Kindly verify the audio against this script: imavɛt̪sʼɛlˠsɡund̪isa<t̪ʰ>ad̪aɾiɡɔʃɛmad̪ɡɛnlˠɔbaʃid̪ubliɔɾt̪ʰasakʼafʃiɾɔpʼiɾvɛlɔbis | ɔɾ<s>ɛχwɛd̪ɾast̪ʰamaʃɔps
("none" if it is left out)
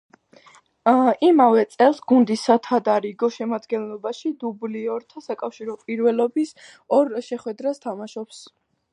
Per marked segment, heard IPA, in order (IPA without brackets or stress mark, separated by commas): t̪ʰ, ʃ